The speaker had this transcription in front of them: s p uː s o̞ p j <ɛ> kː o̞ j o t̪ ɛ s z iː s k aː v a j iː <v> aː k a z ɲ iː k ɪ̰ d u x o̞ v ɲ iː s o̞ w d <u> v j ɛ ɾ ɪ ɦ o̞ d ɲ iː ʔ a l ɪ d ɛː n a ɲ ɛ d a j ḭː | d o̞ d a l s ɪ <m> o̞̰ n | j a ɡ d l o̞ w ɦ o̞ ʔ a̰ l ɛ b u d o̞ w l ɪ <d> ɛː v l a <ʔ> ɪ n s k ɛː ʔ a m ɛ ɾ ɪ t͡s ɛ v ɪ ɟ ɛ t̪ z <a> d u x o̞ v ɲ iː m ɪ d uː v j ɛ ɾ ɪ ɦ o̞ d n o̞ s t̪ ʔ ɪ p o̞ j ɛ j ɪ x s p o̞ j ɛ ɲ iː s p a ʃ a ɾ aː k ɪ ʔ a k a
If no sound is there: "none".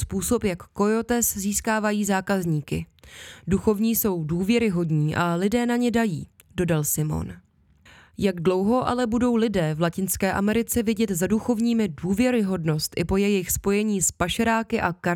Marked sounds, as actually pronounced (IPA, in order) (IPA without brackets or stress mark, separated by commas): a, z, uː, m, d, c, a